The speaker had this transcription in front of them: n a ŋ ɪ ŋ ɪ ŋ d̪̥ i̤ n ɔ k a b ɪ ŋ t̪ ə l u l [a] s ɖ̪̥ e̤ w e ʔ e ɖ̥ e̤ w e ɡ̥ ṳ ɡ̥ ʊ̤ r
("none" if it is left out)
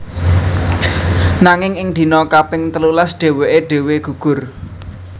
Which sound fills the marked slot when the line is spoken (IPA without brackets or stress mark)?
a